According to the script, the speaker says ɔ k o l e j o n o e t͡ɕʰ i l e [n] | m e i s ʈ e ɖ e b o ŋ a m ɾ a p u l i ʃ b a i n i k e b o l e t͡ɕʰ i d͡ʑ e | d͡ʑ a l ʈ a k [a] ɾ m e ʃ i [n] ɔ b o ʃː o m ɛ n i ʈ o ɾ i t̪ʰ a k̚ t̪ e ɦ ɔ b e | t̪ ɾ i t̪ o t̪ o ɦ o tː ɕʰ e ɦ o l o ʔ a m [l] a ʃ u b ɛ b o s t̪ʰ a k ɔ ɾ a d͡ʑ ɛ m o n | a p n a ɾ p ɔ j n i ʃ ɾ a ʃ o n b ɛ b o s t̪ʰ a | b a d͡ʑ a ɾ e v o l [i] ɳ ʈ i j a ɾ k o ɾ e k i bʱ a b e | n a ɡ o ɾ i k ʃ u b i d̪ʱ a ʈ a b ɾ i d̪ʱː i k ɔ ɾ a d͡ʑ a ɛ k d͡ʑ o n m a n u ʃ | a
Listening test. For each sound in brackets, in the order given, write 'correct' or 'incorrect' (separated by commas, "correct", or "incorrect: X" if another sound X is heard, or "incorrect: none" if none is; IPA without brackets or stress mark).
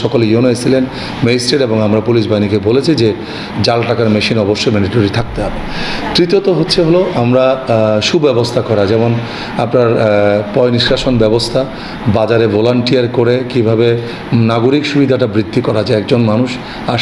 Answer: correct, correct, correct, incorrect: ɾ, incorrect: a